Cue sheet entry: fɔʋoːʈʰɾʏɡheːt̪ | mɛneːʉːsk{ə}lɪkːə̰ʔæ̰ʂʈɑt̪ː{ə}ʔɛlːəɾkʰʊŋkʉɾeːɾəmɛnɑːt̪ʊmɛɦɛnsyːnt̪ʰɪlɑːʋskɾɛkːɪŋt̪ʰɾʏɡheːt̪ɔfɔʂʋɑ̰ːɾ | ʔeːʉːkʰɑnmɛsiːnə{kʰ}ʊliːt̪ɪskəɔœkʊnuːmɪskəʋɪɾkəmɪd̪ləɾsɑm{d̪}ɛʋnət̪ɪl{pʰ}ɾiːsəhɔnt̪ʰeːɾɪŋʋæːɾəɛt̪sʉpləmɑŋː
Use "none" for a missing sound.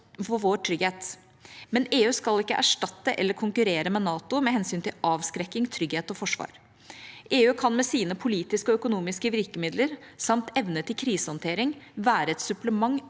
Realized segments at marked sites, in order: ɑ, ə, pʰ, t̪, kʰ

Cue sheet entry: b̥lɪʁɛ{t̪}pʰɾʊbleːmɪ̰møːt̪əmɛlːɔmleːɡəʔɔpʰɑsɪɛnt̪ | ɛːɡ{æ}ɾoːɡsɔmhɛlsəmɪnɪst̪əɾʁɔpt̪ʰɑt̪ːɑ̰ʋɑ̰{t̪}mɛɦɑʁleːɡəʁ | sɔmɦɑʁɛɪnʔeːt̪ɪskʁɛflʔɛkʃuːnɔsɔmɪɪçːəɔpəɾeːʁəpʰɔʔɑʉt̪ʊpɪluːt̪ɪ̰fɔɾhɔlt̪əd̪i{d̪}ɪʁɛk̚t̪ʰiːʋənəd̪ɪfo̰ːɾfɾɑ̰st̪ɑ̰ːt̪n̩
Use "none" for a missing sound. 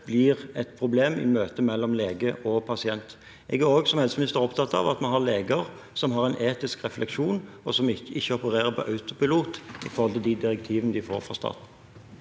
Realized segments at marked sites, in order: t̪, æ, t̪, d̪

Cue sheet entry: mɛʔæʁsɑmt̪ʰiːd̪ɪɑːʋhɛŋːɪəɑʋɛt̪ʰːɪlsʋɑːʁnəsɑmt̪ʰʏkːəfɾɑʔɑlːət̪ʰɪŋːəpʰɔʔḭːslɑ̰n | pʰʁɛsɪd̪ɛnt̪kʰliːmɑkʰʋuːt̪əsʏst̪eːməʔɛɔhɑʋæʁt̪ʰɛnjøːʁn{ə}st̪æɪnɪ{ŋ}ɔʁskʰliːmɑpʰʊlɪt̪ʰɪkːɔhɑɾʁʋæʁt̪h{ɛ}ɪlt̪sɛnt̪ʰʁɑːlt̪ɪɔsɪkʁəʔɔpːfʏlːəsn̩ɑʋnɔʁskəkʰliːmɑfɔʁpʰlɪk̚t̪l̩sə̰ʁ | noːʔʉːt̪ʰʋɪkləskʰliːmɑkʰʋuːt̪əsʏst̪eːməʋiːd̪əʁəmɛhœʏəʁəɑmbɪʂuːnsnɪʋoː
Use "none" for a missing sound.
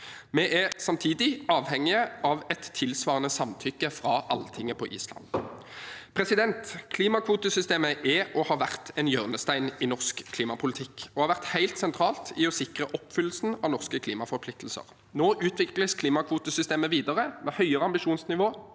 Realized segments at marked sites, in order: ə, n, æ

